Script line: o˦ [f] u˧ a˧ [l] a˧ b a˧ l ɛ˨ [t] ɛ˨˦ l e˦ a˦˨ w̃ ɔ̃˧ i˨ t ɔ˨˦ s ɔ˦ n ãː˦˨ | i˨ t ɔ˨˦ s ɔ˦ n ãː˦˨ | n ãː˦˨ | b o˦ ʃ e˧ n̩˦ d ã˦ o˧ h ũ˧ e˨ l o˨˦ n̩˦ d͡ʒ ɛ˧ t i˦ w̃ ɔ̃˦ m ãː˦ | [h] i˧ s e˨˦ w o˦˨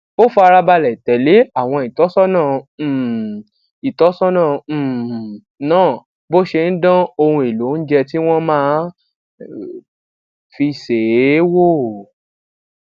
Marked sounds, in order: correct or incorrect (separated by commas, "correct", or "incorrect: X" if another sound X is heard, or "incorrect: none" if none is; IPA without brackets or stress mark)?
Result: correct, incorrect: ɾ, correct, incorrect: f